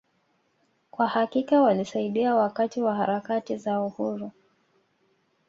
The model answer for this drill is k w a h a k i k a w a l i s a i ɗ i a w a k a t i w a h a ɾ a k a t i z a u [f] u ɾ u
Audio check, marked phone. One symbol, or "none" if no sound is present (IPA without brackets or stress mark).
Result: h